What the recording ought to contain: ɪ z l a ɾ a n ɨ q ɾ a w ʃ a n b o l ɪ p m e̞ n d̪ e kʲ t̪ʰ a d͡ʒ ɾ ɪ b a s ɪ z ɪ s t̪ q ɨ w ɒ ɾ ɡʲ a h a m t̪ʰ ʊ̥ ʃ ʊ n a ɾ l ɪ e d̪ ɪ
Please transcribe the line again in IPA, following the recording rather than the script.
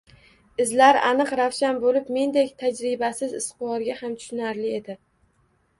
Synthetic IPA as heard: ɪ z l a ɾ a n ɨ q ɾ a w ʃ a n b o l ɪ p m e̞ n d̪ e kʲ t̪ʰ a d͡ʒ ɾ ɪ b a s ɪ z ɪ s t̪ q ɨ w ɒ ɾ ɡʲ a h a m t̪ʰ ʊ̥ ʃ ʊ n a ɾ l ɪ e d̪ ɪ